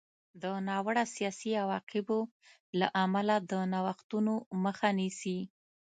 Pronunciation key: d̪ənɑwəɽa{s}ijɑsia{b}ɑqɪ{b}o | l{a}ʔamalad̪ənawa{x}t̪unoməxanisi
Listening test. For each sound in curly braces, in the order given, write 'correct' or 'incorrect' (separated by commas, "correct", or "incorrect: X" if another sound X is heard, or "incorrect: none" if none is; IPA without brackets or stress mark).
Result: correct, incorrect: w, correct, correct, correct